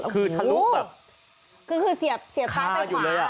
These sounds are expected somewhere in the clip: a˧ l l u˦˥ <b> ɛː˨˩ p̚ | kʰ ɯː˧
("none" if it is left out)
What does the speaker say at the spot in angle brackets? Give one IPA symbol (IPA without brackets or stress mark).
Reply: b